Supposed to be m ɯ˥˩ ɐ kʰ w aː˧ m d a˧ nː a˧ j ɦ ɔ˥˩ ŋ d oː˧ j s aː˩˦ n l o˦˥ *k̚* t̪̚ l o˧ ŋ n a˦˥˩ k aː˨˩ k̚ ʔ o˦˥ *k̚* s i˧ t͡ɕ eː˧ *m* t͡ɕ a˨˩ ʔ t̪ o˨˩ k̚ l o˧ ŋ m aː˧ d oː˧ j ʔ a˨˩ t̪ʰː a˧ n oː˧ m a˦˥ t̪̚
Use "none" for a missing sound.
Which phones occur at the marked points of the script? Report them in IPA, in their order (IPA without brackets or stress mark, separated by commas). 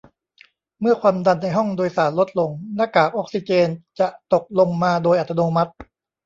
none, k̚, n